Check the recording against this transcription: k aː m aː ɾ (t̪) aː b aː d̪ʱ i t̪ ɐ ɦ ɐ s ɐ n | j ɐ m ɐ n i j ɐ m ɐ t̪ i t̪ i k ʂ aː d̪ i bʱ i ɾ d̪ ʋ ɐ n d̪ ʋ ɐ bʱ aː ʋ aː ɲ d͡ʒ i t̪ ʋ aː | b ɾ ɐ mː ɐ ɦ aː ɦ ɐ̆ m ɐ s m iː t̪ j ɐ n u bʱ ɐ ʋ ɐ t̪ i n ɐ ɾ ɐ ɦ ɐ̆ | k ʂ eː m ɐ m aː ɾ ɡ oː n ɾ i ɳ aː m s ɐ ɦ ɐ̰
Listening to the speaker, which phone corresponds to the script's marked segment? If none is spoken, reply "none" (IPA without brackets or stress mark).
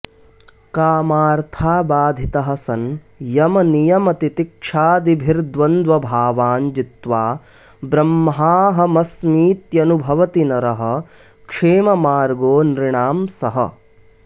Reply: t̪ʰ